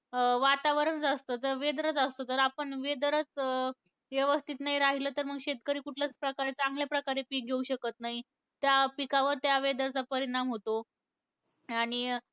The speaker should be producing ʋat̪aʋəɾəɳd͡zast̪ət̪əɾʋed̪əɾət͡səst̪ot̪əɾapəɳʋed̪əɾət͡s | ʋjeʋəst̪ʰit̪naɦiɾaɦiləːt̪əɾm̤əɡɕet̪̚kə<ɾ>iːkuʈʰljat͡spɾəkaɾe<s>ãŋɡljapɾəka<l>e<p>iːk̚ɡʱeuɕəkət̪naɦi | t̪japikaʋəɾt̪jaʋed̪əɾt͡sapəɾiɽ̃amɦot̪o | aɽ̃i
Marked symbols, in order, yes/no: yes, no, no, yes

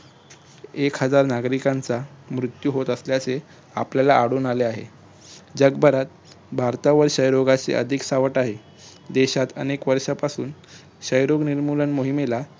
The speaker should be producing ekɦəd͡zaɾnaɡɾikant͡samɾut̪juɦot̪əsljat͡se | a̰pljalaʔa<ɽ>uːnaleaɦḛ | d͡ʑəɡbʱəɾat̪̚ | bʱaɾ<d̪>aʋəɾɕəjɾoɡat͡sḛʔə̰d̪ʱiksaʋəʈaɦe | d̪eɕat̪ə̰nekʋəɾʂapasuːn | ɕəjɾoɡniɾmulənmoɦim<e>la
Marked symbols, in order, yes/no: yes, no, yes

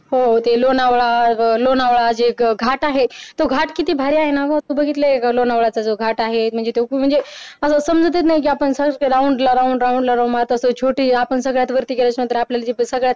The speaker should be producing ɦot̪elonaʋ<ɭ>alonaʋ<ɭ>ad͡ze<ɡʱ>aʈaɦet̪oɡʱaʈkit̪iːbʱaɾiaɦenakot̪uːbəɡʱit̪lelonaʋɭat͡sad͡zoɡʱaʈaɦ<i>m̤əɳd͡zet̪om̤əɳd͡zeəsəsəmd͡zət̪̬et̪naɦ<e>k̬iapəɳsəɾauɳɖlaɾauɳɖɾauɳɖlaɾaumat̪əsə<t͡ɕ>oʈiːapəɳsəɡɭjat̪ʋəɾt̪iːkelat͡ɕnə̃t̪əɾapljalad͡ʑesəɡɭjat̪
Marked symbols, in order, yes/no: yes, yes, yes, no, no, no

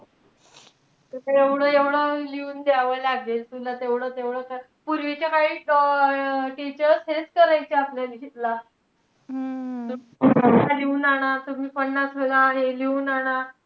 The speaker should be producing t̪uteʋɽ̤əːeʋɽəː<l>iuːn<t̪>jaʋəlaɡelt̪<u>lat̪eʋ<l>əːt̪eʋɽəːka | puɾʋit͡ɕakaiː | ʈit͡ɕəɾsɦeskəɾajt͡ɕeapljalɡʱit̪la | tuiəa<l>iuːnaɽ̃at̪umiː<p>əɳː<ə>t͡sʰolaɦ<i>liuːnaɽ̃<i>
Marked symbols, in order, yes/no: yes, no, yes, no, yes, yes, no, no, no

